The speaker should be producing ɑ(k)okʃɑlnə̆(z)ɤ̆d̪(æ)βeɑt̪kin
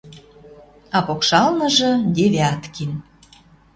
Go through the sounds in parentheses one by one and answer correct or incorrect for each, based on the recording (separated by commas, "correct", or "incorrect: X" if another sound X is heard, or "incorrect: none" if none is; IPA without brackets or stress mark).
incorrect: p, incorrect: ʒ, incorrect: e